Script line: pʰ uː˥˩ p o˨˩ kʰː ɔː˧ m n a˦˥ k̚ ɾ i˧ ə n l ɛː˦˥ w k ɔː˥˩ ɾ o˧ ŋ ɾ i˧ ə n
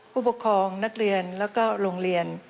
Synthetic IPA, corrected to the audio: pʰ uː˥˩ p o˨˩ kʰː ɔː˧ ŋ n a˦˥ k̚ ɾ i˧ ə n l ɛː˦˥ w k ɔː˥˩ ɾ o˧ ŋ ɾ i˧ ə n